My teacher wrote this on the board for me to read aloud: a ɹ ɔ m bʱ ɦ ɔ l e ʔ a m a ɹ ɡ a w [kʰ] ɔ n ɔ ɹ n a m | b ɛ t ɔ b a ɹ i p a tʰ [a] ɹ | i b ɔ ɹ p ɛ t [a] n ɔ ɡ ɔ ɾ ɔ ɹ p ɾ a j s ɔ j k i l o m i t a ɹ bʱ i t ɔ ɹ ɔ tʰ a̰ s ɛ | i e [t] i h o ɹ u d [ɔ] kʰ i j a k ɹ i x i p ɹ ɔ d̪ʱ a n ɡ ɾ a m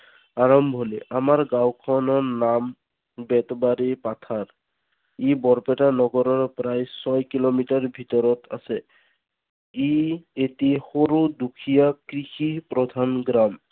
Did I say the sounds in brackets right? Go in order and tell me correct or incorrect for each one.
correct, correct, correct, correct, incorrect: u

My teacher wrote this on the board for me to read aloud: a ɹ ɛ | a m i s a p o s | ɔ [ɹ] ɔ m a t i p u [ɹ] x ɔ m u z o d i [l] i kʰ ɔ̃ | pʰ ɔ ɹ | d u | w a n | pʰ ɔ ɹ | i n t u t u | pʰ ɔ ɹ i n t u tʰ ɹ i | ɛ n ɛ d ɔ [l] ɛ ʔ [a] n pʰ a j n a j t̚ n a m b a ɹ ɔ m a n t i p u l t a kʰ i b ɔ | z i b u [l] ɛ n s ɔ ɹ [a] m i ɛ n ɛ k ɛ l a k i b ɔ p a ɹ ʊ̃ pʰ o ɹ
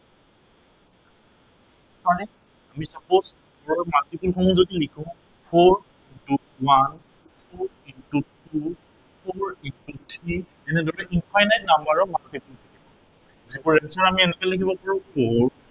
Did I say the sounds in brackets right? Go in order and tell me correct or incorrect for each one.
correct, incorrect: l, correct, incorrect: ɹ, incorrect: i, incorrect: ɹ, correct

